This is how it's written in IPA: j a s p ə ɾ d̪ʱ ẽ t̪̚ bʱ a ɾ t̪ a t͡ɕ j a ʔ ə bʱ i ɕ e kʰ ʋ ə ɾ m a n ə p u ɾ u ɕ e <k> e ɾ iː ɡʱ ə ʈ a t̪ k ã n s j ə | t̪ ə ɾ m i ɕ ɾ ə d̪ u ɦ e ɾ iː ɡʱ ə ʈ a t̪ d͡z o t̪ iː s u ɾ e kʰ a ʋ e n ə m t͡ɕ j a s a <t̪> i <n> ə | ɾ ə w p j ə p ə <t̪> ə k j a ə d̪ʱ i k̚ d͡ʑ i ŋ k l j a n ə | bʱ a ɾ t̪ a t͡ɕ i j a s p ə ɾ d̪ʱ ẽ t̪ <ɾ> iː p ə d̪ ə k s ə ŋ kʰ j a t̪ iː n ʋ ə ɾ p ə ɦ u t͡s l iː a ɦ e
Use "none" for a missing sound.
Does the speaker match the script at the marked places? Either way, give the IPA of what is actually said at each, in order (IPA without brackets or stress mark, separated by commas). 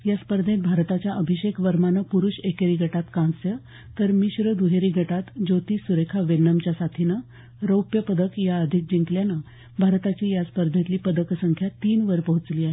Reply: k, t̪ʰ, n, d̪, l